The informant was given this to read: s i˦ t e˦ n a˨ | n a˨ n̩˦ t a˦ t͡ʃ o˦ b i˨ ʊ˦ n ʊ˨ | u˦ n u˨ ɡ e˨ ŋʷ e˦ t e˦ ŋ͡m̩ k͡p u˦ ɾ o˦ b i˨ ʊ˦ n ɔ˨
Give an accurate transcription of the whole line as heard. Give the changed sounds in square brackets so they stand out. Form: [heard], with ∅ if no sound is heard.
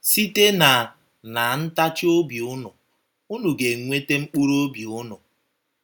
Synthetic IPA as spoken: s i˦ t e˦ n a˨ | n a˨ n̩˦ t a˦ t͡ʃ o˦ b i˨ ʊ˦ n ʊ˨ | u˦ n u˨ ɡ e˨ ŋʷ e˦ t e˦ ŋ͡m̩ k͡p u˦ ɾ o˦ b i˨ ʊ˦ n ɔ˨